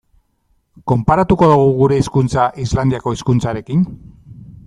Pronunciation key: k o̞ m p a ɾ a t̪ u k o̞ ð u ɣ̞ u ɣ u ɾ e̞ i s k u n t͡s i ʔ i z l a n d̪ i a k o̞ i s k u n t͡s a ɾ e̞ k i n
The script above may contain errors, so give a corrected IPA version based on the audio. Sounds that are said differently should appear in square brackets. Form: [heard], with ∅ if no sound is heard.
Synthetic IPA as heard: k o̞ m p a ɾ a t̪ u k o̞ ð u ɣ̞ u ɣ u ɾ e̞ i s k u n t͡s [a] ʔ i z l a n d̪ i a k o̞ i s k u n t͡s a ɾ e̞ k i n